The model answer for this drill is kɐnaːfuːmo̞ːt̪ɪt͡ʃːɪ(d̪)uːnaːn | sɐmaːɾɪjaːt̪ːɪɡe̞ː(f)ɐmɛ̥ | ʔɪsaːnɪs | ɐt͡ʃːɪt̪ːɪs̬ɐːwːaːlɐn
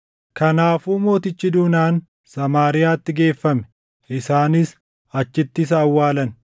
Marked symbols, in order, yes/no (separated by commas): yes, no